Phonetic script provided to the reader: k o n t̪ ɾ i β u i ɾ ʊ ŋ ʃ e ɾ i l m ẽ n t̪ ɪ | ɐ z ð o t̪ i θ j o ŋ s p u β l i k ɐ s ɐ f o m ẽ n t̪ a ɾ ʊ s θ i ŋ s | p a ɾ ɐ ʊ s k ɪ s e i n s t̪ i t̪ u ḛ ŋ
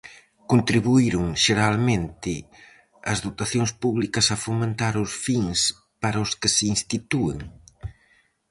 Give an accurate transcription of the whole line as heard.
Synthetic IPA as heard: k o n t̪ ɾ i β u i ɾ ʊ ŋ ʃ e ɾ a l m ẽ n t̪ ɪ | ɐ z ð o t̪ a θ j o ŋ s p u β l i k ɐ s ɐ f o m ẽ n t̪ a ɾ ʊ s f i ŋ s | p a ɾ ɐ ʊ s k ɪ s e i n s t̪ i t̪ u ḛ ŋ